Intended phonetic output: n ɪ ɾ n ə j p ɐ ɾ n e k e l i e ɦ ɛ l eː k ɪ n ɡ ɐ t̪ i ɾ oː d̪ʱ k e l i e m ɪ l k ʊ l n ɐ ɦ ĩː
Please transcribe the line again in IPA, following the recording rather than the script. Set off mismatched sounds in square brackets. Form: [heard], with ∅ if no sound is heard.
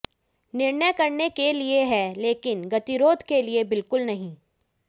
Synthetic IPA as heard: n ɪ ɾ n ə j [k] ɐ ɾ n e k e l i e ɦ ɛ l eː k ɪ n ɡ ɐ t̪ i ɾ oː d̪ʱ k e l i e [b] ɪ l k ʊ l n ɐ ɦ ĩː

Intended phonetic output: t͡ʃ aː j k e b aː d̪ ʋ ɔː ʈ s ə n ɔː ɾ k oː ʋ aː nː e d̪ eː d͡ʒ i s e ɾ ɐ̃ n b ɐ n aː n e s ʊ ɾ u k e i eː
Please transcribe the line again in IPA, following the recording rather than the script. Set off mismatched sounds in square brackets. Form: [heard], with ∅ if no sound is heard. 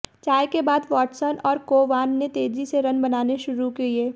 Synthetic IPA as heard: t͡ʃ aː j k e b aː d̪ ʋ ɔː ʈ s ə n ɔː ɾ k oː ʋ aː nː e [t̪] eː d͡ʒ i s e ɾ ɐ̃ n b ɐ n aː n e [ʃ] ʊ ɾ u k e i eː

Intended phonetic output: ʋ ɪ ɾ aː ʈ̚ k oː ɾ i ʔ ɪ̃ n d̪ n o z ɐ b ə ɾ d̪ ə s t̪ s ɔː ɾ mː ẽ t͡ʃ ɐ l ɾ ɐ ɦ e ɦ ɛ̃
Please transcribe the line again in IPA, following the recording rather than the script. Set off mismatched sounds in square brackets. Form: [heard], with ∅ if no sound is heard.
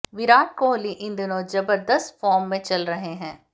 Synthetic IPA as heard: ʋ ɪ ɾ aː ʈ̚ k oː [l] i ʔ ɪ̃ n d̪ n o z ɐ b ə ɾ d̪ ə s t̪ [f] ɔː ɾ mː ẽ t͡ʃ ɐ l ɾ ɐ ɦ e ɦ [ɛ̃ː]

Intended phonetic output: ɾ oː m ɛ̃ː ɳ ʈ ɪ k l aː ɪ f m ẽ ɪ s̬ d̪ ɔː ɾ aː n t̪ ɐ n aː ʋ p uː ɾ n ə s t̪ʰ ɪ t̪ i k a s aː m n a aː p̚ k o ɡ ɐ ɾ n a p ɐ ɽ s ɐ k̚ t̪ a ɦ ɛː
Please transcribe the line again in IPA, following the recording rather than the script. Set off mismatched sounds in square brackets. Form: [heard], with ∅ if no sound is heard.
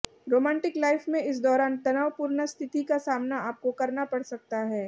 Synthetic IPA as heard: ɾ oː m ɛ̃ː ɳ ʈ ɪ k l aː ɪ f m ẽ ɪ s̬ d̪ ɔː ɾ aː n t̪ ɐ n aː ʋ p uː ɾ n ə s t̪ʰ ɪ t̪ i k a s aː m n a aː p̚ k o [k] ɐ ɾ n a p ɐ ɽ s ɐ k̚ t̪ a ɦ ɛː

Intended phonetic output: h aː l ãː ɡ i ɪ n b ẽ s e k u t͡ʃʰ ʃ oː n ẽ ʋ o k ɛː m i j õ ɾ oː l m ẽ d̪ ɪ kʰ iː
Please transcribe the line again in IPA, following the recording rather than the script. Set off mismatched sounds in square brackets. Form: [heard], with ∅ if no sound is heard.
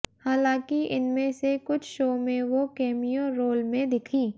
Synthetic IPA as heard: h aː l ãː [k] i ɪ n [m] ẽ s e k [ʊ] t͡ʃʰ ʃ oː [m] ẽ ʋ o k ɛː m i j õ ɾ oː l m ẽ d̪ ɪ kʰ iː

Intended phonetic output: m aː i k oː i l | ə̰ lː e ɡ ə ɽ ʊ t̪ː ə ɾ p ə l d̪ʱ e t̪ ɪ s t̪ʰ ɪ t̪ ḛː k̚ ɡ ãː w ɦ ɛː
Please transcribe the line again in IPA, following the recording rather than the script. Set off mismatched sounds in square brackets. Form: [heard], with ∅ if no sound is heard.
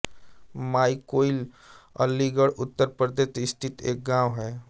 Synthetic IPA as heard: m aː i k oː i l | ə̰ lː [i] ɡ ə ɽ ʊ t̪ː ə ɾ p ə [ɾ] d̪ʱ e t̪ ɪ s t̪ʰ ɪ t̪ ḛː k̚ ɡ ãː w ɦ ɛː

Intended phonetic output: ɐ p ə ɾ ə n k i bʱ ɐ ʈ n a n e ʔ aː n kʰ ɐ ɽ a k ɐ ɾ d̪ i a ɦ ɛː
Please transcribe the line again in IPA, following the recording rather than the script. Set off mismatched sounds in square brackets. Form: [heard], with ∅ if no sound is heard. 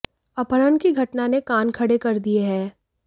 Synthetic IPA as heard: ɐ p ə ɾ ə n k i [ɡʱ] ɐ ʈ n a n e [k] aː n kʰ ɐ ɽ [e] k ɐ ɾ d̪ i [e] ɦ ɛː

